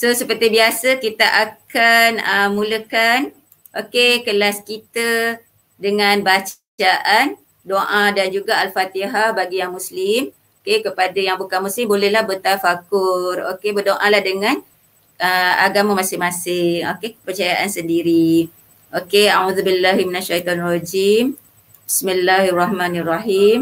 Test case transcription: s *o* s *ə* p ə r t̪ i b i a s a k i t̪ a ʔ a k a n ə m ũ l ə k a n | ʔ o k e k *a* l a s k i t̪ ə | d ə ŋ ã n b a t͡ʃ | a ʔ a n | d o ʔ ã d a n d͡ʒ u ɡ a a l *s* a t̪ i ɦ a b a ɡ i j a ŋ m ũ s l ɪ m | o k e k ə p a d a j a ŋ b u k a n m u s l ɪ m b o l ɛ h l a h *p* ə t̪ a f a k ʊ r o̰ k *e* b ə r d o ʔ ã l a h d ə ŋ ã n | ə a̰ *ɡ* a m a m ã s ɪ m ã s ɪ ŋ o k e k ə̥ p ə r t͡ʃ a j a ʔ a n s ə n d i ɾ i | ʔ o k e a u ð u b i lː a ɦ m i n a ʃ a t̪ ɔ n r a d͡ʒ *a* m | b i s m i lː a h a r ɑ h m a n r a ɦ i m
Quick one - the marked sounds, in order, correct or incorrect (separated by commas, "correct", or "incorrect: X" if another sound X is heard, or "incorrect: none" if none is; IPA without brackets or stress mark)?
correct, correct, incorrect: ə, incorrect: f, incorrect: b, correct, correct, incorrect: i